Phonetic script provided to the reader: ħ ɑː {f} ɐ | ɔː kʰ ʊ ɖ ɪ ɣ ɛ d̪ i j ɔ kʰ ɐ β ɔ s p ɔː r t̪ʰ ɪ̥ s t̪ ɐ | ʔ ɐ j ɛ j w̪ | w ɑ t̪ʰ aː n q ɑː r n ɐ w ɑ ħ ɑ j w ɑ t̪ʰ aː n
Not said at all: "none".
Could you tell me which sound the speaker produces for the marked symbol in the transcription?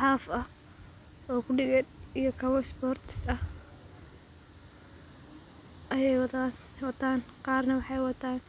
f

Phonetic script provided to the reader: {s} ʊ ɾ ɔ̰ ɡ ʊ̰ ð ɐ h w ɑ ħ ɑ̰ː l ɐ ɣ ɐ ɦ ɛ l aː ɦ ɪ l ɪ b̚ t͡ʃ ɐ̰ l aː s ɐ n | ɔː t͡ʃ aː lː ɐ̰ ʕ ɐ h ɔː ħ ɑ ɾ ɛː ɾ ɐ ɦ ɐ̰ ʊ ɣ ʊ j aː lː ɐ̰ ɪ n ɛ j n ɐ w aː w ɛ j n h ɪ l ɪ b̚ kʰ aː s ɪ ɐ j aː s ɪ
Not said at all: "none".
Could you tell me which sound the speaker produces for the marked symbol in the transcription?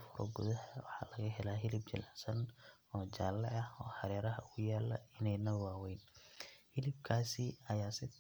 f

